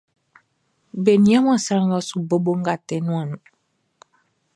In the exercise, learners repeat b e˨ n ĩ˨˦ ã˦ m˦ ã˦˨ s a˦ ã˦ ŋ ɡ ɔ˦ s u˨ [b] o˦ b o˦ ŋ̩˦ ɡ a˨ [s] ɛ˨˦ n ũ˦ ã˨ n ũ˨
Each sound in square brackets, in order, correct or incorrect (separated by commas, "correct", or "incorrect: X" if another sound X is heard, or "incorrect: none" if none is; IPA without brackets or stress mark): correct, incorrect: t